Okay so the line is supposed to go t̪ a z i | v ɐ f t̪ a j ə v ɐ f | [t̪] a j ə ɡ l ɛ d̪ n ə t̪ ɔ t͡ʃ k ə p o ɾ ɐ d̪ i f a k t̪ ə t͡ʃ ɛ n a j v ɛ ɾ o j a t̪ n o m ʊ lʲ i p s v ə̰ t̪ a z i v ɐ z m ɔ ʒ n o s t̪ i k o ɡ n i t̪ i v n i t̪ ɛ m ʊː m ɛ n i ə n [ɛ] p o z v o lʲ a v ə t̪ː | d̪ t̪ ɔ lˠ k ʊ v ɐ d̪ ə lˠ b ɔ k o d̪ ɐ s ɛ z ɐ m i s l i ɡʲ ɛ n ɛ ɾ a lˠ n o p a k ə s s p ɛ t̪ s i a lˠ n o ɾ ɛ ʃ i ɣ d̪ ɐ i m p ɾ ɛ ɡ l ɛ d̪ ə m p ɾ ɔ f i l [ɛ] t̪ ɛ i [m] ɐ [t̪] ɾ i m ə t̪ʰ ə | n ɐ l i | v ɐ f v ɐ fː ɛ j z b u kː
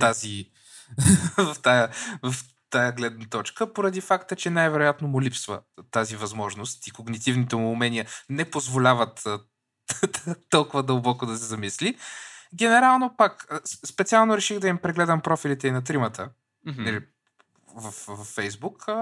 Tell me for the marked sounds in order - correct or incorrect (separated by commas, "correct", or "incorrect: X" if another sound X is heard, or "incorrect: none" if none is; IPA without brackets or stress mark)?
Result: correct, correct, incorrect: i, incorrect: n, correct